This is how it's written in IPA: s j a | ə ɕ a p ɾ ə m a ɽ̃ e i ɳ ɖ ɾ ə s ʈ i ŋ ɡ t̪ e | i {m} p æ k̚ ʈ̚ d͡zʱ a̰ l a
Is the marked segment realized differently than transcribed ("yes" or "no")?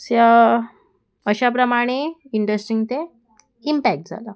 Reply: no